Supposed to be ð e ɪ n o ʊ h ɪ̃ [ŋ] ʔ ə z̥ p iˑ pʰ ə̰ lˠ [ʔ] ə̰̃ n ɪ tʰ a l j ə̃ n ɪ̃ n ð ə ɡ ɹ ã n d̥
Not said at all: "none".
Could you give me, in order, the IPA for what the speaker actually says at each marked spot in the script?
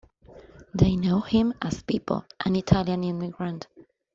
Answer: m, ʔ

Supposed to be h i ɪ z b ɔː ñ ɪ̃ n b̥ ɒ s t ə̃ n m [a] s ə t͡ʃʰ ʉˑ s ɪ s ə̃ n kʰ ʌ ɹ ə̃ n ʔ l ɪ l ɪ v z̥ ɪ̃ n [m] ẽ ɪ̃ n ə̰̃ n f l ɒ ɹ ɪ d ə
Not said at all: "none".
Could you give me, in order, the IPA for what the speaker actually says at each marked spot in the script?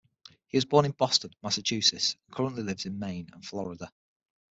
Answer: a, m

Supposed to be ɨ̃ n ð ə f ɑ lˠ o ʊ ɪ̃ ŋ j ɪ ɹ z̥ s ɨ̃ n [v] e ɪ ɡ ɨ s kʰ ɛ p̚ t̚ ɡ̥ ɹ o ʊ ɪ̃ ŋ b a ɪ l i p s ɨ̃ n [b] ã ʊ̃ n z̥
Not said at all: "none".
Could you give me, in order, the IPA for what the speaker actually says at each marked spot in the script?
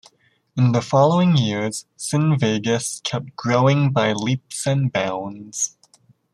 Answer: v, b

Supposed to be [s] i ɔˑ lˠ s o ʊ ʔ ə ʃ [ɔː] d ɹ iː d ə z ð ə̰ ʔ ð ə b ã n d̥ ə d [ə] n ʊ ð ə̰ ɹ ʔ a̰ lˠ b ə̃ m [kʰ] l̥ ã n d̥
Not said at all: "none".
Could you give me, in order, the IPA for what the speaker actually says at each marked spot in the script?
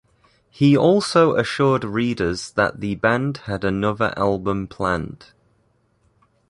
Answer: h, ɔː, ə, pʰ

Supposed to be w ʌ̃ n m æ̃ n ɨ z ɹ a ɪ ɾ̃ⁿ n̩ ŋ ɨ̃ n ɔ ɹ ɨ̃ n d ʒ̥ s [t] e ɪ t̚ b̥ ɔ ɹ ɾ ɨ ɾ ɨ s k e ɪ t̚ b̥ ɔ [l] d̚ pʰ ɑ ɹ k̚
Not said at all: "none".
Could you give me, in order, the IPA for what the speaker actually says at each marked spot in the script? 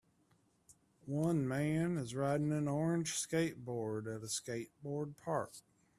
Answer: k, ɹ

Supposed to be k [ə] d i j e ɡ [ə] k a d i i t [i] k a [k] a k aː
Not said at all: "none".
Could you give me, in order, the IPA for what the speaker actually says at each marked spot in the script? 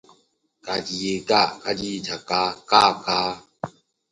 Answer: a, a, a, k

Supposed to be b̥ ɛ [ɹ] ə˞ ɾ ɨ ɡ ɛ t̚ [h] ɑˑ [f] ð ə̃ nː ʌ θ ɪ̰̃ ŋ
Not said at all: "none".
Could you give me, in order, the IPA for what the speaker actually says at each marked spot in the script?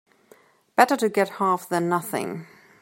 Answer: ɾ, h, f

